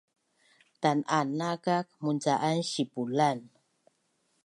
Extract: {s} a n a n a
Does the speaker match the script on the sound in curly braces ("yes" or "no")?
no